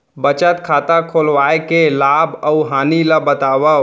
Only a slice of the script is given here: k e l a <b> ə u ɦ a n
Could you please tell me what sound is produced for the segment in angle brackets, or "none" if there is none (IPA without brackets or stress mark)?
b